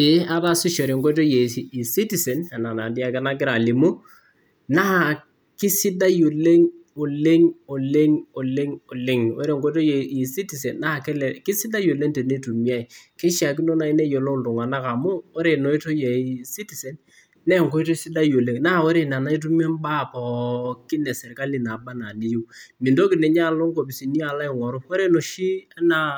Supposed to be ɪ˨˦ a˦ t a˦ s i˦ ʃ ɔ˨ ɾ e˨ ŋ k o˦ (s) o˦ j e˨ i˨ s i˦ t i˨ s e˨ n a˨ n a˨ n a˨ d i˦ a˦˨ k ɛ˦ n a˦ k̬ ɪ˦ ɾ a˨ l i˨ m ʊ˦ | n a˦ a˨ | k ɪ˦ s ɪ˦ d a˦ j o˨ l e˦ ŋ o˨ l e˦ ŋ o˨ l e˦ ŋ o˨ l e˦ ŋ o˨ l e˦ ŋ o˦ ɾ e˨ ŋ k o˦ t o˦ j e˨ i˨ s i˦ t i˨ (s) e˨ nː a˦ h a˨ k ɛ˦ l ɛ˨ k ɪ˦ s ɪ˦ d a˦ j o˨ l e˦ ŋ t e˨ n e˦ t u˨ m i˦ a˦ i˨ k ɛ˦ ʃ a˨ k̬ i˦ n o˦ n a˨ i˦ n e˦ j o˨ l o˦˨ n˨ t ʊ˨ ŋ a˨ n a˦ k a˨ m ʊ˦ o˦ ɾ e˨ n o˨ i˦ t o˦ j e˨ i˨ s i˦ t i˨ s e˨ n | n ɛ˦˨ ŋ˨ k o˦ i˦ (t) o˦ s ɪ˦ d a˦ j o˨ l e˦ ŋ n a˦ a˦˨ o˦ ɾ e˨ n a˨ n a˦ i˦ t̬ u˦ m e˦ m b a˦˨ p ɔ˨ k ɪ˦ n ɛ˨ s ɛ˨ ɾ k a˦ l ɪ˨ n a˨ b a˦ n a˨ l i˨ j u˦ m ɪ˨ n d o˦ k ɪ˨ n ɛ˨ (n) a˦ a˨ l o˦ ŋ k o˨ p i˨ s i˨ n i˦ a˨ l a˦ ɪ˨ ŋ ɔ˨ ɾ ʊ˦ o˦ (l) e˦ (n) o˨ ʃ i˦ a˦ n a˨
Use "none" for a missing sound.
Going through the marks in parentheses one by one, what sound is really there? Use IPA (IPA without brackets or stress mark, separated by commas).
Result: t, s, t, ɲ, ɾ, n